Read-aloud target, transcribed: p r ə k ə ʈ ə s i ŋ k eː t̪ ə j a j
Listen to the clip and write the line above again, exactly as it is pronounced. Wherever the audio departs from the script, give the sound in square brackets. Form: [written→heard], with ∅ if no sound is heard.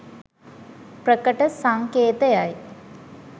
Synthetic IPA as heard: p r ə k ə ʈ ə s [i→a] ŋ k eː t̪ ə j a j